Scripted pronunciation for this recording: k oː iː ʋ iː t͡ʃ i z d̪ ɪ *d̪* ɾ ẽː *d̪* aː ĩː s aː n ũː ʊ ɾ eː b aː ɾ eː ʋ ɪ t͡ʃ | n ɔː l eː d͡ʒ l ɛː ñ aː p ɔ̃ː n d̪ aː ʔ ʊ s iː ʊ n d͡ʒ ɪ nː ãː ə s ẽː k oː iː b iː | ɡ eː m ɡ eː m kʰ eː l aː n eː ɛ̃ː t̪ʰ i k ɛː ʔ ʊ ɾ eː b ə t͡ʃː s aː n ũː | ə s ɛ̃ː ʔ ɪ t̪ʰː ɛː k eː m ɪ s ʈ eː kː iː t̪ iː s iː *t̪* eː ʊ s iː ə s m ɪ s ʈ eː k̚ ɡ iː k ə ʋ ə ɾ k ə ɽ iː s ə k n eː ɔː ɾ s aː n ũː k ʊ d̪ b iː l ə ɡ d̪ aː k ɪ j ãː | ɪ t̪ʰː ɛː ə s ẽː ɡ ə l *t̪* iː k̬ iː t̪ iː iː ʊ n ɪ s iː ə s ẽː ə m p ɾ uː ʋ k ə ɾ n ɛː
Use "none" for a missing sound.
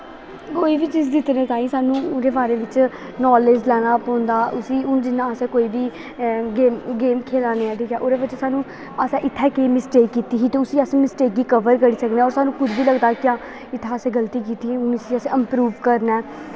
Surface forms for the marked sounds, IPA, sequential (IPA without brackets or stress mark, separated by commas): t̪, t̪, t̪, t̪